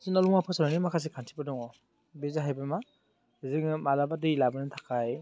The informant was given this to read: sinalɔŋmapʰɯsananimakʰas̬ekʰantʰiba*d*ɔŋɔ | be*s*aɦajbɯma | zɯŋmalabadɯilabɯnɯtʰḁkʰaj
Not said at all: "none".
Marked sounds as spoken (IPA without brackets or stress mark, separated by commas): d, z